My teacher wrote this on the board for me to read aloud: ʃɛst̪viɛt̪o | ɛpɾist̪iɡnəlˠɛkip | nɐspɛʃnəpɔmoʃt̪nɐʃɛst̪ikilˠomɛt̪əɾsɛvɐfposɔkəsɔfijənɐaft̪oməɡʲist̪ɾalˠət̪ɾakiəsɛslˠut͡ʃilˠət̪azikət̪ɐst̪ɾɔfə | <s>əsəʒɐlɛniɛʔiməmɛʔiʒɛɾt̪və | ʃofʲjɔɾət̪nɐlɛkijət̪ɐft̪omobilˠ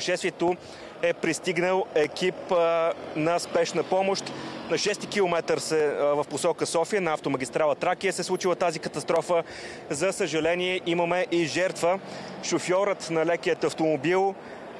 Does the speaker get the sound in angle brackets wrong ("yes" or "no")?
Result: yes